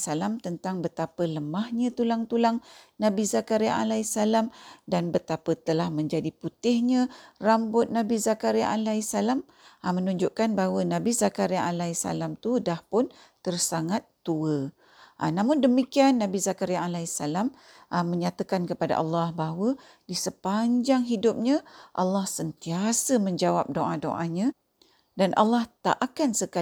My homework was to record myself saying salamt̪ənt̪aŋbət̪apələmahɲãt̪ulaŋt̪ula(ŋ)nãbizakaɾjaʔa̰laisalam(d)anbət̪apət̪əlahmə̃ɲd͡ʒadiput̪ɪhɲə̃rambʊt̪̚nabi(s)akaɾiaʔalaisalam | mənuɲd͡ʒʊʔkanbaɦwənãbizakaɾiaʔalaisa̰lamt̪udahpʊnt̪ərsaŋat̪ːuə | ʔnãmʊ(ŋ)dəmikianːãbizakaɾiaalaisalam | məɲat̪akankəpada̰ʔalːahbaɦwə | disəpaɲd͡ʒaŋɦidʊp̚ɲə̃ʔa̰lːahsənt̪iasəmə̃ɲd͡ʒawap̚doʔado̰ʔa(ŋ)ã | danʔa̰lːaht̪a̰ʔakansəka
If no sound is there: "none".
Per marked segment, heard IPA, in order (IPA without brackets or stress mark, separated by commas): ŋ, d, z, n, ɲ